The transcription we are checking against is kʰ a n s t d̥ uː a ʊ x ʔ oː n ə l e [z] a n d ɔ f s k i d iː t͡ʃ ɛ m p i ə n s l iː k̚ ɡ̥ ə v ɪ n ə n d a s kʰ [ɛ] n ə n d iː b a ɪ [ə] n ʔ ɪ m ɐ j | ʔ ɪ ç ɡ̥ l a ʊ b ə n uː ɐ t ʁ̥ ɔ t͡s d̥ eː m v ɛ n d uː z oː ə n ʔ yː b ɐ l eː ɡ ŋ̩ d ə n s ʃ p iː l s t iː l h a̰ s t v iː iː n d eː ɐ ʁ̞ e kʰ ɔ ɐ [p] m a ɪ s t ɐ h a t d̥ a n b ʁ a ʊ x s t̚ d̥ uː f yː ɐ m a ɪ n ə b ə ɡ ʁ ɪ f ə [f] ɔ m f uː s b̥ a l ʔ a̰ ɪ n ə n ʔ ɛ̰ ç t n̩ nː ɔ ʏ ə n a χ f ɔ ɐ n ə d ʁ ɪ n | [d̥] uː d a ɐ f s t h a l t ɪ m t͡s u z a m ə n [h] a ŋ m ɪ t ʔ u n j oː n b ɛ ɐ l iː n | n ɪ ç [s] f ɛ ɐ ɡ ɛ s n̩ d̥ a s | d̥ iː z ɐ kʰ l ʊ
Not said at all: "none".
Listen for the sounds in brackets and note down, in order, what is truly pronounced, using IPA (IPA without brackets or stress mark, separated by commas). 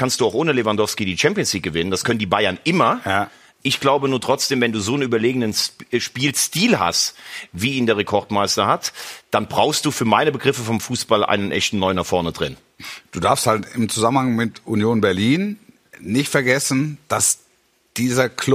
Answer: v, œ, ɐ, t, f, d̥, h, t